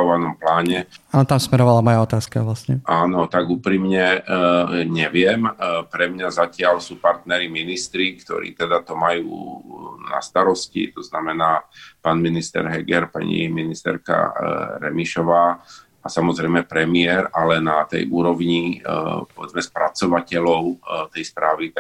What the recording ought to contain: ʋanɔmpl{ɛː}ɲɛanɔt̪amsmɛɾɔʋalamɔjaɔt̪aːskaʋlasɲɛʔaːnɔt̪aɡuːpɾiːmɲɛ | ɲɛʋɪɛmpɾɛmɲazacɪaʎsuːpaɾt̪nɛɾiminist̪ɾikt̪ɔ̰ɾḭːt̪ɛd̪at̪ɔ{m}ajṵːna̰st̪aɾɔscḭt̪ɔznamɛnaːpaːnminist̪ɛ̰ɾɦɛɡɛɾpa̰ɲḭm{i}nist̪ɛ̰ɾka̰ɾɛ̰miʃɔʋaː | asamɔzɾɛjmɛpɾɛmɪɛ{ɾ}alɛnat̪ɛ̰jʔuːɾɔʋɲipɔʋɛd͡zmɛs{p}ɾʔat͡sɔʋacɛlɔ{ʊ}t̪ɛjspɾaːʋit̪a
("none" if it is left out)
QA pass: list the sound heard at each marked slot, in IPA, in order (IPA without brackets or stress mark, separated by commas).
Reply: aː, m, i, ɾ, p, ʊ